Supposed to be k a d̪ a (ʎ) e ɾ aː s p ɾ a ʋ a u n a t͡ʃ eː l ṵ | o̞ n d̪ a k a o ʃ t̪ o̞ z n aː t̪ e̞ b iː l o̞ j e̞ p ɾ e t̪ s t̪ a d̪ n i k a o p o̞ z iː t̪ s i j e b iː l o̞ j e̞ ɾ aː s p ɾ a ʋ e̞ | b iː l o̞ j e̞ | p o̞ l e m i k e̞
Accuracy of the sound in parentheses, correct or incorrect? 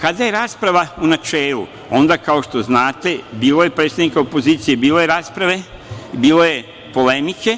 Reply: incorrect